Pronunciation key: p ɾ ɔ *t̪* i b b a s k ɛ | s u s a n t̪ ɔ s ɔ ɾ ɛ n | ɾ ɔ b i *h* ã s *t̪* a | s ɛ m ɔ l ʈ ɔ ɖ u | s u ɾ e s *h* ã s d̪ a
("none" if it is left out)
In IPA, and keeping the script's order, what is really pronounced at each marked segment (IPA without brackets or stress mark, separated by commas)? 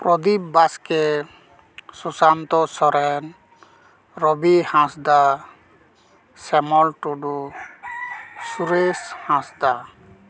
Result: d̪, h, d̪, h